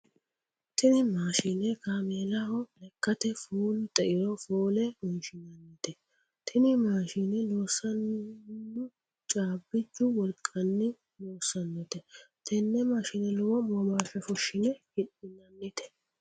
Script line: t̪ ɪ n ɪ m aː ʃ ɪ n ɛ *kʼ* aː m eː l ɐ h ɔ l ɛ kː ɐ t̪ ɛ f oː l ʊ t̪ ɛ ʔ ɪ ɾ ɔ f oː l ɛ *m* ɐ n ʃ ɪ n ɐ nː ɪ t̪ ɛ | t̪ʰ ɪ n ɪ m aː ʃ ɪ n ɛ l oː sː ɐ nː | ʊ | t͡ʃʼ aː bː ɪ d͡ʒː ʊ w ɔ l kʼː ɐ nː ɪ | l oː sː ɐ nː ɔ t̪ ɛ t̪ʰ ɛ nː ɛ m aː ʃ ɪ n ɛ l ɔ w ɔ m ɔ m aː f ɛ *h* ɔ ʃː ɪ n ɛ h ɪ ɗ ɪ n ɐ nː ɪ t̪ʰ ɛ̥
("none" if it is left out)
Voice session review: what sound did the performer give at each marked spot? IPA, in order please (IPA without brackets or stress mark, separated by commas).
k, m, f